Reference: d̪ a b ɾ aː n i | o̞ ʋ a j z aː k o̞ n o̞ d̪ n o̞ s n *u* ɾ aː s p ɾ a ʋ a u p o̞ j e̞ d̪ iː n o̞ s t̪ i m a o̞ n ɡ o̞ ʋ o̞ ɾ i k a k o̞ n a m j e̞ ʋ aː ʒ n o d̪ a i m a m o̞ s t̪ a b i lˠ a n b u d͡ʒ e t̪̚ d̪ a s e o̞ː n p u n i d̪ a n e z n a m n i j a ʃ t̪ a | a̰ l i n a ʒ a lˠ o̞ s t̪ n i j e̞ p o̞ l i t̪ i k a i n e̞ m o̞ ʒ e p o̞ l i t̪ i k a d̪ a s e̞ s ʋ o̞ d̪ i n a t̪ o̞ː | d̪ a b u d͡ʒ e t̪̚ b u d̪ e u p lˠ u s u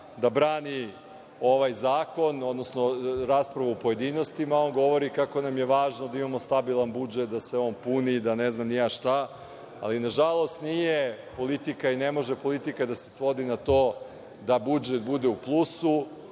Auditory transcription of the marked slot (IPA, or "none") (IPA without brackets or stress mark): o